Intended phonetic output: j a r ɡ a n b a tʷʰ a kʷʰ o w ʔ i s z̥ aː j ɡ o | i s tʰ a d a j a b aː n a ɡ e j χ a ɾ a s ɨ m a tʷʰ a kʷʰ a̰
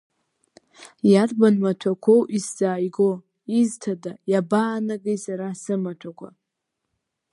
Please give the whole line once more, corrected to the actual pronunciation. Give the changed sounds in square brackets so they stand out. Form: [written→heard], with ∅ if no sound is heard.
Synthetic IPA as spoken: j a r [ɡ→b] a n [b→m] a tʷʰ a kʷʰ o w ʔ i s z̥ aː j ɡ o | i [s→z] tʰ a d a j a b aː n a ɡ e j [χ→s] a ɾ a s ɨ m a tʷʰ a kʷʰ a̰